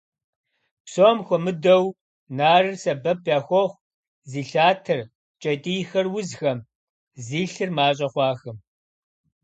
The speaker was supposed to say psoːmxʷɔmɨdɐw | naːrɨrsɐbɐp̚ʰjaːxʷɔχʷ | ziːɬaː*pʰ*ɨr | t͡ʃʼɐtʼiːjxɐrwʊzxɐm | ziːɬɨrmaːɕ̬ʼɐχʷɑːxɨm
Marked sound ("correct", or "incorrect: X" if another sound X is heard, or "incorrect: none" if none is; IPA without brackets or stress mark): incorrect: tʰ